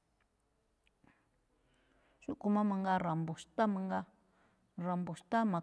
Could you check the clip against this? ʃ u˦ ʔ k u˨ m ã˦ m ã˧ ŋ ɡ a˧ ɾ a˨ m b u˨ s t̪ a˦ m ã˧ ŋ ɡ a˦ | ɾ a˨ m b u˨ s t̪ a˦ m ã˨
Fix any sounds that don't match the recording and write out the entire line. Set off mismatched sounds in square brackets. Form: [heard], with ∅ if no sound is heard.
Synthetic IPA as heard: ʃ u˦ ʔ k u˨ m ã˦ m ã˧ ŋ ɡ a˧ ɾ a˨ m b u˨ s t̪ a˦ m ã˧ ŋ ɡ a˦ | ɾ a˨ m b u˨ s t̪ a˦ m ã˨